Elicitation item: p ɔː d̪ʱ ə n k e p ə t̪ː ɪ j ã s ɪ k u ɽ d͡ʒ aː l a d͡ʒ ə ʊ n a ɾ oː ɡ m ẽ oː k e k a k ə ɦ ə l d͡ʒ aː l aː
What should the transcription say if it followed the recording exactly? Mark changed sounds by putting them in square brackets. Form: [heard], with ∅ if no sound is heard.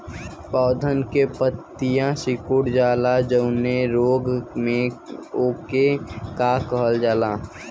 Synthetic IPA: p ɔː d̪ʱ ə n k e p ə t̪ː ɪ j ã s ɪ k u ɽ d͡ʒ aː l a d͡ʒ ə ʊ n [e] ɾ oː ɡ m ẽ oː k e k a k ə ɦ ə l d͡ʒ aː l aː

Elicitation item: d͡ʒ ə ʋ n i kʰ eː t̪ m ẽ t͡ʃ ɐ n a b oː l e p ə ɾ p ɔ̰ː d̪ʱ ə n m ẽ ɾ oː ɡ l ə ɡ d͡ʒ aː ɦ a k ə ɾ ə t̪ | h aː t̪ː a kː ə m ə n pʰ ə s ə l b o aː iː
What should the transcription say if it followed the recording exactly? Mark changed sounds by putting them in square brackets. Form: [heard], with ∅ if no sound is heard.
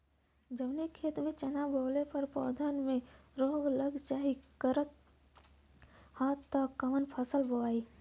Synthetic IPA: d͡ʒ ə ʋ n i kʰ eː t̪ m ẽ t͡ʃ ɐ n a b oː l e p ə ɾ p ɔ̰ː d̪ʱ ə n m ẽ ɾ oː ɡ l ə ɡ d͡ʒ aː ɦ [i] k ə ɾ ə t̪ | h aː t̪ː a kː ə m ə n pʰ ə s ə l b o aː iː

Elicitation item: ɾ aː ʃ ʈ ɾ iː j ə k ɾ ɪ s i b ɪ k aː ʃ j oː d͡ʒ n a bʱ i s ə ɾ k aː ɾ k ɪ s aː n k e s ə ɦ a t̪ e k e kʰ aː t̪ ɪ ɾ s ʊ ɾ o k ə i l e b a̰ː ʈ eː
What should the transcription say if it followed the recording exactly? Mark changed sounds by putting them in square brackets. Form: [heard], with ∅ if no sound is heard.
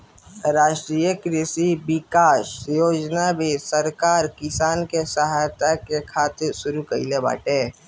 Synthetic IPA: ɾ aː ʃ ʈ ɾ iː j ə k ɾ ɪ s i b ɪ k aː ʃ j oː d͡ʒ n a bʱ i s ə ɾ k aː ɾ k ɪ s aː n k e s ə ɦ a t̪ [a] k e kʰ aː t̪ ɪ ɾ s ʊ ɾ [u] k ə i l e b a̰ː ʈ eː

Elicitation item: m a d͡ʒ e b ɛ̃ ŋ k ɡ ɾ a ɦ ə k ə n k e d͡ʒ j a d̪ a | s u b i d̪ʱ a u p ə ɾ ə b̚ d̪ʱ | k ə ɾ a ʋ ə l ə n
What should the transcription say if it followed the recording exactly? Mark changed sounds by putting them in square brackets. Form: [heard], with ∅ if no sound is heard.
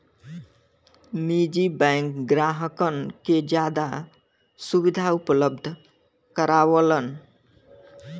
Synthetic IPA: m [i] d͡ʒ [i] b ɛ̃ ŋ k ɡ ɾ a ɦ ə k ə n k e d͡ʒ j a d̪ a | s u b i d̪ʱ a u p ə [l] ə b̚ d̪ʱ | k ə ɾ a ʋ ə l ə n

